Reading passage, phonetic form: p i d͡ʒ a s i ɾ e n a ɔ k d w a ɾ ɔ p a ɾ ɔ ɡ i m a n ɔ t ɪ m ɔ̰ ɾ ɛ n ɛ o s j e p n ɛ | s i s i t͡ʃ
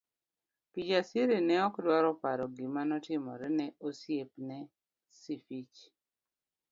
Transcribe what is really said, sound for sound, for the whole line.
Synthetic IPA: p i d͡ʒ a s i ɾ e n ɛ ɔ k d w a ɾ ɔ p a ɾ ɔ ɡ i m a n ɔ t ɪ m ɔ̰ ɾ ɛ n ɛ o s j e p n ɛ | s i f i t͡ʃ